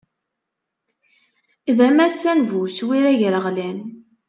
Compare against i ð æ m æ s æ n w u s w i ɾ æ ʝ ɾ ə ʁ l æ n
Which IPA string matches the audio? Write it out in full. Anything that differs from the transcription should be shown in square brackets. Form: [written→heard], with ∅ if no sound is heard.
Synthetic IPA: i ð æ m æ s æ n [w→v] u s w i ɾ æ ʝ ɾ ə ʁ l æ n